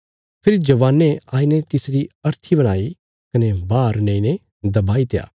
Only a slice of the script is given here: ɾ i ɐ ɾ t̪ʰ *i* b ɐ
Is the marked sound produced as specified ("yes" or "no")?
yes